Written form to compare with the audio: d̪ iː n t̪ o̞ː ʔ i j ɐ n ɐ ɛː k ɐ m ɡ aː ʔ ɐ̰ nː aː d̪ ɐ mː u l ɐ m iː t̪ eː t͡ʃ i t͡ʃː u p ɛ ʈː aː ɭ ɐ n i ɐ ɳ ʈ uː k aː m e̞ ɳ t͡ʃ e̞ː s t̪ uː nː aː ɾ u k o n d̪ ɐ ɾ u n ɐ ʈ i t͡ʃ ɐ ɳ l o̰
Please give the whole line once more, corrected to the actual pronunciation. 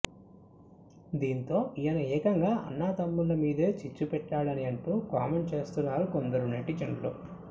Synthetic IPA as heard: d̪ iː n t̪ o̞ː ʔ i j ɐ n ɐ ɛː k ɐ ŋ ɡ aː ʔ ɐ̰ nː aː t̪ ɐ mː u l ɐ m iː d̪ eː t͡ʃ i t͡ʃː u p ɛ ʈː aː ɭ ɐ n i ɐ ɳ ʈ uː k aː m e̞ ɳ t͡ʃ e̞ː s t̪ u nː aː ɾ u k o n d̪ ɐ ɾ u n ɐ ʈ i t͡ʃ ɐ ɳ l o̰